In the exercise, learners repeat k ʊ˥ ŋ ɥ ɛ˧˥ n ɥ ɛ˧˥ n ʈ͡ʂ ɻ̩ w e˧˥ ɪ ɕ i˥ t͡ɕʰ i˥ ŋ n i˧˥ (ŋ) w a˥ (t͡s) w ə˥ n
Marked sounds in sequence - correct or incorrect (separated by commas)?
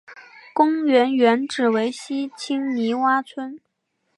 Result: incorrect, incorrect